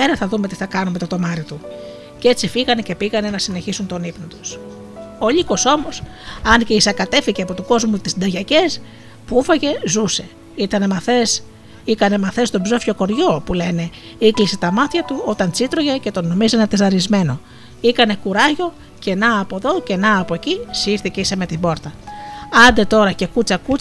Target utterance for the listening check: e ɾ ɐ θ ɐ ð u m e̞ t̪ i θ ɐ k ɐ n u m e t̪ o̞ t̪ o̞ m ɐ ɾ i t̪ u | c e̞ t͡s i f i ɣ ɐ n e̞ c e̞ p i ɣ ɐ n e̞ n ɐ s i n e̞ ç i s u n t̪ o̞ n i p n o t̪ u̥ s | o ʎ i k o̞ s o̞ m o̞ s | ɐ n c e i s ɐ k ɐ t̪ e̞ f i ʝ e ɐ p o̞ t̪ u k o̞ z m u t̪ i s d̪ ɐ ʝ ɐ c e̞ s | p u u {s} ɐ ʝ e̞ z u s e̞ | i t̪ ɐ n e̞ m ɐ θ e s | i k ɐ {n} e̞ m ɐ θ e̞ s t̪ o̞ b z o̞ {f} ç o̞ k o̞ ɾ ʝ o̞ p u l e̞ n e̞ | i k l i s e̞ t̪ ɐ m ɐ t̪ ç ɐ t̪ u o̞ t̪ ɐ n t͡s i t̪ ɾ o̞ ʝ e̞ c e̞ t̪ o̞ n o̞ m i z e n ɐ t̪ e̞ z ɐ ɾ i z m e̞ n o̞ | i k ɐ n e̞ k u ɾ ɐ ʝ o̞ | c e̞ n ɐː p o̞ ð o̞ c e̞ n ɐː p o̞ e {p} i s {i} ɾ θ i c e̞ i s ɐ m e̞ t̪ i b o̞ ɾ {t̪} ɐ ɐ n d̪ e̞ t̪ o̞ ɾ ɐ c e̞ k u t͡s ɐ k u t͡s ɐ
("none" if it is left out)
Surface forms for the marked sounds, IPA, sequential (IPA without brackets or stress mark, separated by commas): f, n, f, c, i, t̪